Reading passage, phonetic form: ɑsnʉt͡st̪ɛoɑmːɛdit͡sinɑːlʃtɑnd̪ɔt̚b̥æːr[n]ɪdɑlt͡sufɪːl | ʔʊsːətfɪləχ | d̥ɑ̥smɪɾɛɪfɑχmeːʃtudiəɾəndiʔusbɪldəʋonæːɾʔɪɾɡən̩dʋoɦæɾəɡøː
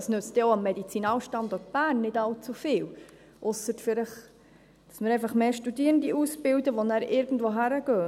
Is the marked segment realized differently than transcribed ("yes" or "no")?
yes